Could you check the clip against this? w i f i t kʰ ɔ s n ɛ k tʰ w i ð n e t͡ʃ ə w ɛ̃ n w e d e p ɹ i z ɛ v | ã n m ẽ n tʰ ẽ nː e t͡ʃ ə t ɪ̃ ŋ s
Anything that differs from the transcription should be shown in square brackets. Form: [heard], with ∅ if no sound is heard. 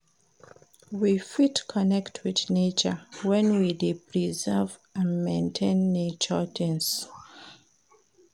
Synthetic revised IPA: w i f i t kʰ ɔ [∅] n ɛ k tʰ w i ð n e t͡ʃ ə w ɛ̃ n w [i] d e p ɹ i z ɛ v | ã n m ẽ n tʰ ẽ nː e t͡ʃ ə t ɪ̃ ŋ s

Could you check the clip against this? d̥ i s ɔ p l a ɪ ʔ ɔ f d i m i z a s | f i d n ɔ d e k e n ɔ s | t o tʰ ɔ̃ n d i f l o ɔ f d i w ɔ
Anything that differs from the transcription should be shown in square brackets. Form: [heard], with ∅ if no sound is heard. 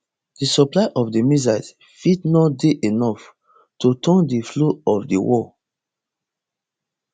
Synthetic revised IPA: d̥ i s ɔ p l a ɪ ʔ ɔ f d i m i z a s | f i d n ɔ d e [ʔ] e n ɔ [f] | t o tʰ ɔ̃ n d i f l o ɔ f d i w ɔ

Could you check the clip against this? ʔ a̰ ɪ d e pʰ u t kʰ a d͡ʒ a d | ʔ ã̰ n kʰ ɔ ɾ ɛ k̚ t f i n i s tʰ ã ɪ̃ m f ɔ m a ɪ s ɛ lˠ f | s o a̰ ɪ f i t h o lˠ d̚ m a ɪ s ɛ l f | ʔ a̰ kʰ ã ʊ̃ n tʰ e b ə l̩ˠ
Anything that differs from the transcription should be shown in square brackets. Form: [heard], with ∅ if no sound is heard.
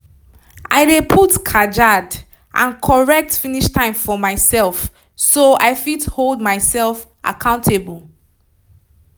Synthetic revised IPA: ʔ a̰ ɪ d e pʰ u t kʰ a d͡ʒ a d | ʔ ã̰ n kʰ ɔ [ɹ] ɛ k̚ t f i n i [ʃ] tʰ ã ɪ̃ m f ɔ m a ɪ s ɛ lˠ f | s o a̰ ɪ f i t h o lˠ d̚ m a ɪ s ɛ l f | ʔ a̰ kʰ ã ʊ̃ n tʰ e b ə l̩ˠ

